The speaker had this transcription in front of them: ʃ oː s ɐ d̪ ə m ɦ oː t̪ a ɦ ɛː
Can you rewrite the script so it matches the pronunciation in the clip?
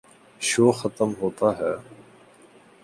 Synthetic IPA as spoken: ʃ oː x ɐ t̪ ə m ɦ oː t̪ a ɦ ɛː